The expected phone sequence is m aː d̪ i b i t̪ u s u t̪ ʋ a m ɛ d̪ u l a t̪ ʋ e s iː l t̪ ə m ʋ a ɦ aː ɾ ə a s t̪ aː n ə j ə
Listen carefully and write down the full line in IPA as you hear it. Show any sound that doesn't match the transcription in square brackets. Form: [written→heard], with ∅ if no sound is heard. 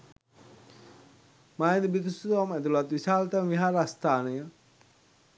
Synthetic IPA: m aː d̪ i b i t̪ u s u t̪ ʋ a m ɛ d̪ u l a t̪ ʋ [e→i] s [iː→aː] l t̪ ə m ʋ [a→i] ɦ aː ɾ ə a s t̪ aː n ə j ə